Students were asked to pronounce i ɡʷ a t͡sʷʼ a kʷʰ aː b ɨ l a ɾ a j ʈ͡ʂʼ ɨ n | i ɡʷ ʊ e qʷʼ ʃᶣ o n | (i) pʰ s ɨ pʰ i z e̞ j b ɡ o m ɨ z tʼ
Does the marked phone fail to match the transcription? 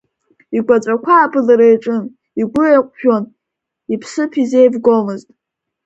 no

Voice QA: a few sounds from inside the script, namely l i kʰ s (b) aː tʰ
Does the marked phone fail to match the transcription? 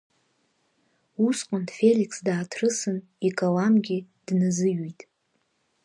yes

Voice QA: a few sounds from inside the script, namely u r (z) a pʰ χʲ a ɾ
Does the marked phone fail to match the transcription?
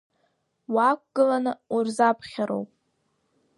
no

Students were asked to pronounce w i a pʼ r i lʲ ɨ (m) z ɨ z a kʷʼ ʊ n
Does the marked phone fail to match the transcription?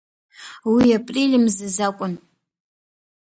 no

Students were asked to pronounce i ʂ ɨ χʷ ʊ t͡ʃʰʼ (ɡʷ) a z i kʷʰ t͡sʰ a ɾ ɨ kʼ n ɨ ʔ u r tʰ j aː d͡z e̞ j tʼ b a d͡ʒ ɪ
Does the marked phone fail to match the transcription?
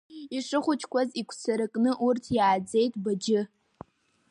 yes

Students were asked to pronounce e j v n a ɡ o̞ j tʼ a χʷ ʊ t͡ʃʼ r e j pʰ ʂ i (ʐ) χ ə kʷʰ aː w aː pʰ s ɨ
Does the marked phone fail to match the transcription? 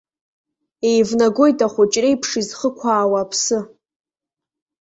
yes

